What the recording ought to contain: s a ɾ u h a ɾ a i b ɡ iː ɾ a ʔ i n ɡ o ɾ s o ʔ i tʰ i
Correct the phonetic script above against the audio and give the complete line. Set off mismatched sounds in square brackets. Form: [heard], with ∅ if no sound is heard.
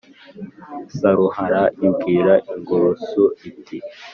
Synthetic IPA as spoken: s a ɾ u h a ɾ a i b ɡ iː ɾ a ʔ i [ŋ] ɡ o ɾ s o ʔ i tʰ i

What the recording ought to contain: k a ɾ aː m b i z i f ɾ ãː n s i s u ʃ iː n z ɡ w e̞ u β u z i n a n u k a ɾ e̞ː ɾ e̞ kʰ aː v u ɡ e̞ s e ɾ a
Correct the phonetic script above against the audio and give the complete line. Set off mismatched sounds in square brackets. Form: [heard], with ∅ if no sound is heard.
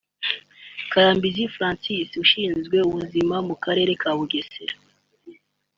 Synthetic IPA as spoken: k a ɾ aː m b i z i f ɾ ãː n s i s u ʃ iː n z ɡ w e̞ u β u z i [m] a [m] u k a ɾ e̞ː ɾ e̞ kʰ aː [β] u ɡ e̞ s e ɾ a

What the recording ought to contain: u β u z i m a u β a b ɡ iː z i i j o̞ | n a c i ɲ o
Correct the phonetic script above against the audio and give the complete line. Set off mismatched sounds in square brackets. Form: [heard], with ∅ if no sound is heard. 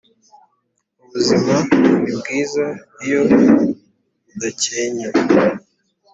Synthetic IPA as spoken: u β u z i m a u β [i] b ɡ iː z [a] i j o̞ | [d] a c [e] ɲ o

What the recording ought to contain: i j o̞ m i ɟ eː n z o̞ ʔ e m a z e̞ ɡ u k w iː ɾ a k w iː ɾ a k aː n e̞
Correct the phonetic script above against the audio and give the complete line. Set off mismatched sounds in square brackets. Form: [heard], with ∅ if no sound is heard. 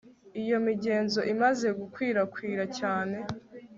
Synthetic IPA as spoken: i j o̞ m i ɟ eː n z o̞ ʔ [i] m a z e̞ ɡ u k w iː ɾ a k w iː ɾ a [c] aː n e̞

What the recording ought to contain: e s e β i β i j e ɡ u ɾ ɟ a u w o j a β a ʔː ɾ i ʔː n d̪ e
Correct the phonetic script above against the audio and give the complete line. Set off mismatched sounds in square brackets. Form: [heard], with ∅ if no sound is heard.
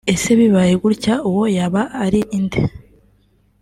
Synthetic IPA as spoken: e s e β i β [a] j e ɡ u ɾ [c] a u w o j a β a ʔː ɾ i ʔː n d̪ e

